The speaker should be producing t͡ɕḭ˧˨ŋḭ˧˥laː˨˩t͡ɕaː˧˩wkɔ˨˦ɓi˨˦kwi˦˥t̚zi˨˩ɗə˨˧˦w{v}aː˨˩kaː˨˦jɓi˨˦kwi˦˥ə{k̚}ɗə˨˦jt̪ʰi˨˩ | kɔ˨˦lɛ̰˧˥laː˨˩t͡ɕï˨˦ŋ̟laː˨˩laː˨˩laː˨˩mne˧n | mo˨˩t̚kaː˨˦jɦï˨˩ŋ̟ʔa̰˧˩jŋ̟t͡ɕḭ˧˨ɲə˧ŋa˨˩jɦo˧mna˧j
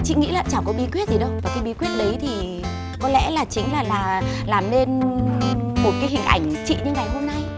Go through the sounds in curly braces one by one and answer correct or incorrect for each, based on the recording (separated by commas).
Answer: correct, incorrect